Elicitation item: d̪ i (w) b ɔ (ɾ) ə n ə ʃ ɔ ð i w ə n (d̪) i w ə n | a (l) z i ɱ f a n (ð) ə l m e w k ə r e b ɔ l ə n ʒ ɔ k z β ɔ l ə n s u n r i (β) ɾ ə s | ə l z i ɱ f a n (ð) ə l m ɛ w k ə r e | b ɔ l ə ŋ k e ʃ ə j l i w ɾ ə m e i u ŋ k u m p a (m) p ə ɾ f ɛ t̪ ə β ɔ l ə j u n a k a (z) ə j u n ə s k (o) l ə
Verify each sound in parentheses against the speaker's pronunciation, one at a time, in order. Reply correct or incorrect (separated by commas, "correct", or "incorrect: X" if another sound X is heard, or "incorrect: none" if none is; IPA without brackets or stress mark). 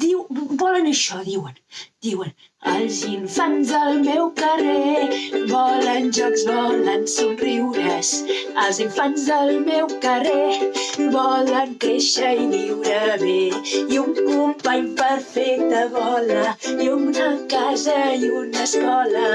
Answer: correct, incorrect: l, correct, correct, incorrect: z, incorrect: w, incorrect: z, incorrect: ɲ, correct, incorrect: ɔ